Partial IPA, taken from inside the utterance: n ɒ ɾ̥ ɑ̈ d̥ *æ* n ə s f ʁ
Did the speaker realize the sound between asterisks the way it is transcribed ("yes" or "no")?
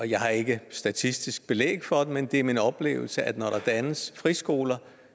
yes